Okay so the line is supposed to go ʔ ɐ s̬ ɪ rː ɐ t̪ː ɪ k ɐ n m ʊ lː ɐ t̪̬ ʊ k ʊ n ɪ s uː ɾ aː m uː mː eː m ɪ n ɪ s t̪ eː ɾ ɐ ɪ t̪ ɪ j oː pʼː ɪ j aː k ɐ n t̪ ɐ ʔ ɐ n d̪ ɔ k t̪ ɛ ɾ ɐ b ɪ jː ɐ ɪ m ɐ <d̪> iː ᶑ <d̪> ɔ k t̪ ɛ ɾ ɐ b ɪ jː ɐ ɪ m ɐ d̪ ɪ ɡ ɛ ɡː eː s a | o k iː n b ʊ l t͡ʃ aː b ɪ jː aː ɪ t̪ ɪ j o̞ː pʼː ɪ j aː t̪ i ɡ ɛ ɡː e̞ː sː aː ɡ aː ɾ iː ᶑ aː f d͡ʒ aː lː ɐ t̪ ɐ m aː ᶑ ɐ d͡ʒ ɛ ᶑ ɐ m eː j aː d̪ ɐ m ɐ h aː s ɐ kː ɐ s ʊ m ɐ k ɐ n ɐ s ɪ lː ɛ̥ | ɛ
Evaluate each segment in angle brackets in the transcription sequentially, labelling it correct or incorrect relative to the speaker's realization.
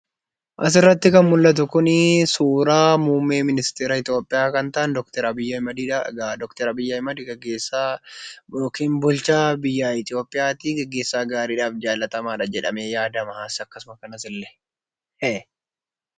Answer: correct, correct

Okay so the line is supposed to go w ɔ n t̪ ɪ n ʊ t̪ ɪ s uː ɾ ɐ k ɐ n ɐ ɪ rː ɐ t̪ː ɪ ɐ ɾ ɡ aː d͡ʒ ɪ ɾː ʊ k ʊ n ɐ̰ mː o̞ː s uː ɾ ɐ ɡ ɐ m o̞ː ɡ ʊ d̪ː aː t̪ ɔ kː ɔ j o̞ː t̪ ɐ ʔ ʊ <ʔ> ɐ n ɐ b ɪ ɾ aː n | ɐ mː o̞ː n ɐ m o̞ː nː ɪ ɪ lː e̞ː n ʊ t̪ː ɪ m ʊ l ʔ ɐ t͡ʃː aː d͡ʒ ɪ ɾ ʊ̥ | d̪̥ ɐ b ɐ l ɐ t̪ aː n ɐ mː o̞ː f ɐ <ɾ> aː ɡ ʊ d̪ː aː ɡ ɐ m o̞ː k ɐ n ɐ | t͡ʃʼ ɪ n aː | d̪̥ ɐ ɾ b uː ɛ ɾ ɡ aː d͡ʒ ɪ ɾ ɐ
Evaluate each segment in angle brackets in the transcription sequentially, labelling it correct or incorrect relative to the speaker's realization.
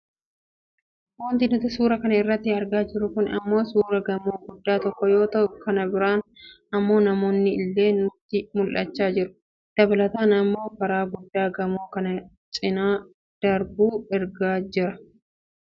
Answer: incorrect: k, correct

